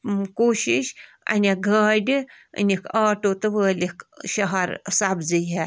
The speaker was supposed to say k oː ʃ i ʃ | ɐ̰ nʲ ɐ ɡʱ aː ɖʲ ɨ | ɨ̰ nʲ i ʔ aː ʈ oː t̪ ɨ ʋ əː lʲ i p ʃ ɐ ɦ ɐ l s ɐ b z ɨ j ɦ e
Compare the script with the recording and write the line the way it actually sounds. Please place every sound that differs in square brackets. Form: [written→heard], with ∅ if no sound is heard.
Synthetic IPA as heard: k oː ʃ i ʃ | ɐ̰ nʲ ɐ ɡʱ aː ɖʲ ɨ | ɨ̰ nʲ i [ʔ→k] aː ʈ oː t̪ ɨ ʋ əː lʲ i [p→k] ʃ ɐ ɦ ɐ [l→ɾ] s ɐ b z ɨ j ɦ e